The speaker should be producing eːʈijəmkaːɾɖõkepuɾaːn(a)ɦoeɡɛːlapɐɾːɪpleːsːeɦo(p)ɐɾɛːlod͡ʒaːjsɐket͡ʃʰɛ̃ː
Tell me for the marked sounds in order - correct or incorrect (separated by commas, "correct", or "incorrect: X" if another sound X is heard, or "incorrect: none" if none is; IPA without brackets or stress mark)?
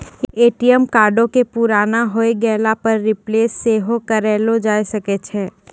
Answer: correct, incorrect: k